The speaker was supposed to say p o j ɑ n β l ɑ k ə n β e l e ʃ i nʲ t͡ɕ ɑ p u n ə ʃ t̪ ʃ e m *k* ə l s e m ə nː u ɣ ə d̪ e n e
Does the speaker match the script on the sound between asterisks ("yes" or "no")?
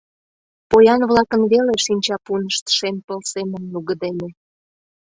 no